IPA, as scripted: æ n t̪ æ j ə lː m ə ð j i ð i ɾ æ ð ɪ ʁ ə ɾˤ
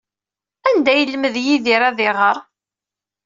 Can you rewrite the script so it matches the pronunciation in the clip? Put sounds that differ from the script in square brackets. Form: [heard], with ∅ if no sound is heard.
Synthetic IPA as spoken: æ n [d̪] æ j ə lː m ə ð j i ð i ɾ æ ð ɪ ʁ ə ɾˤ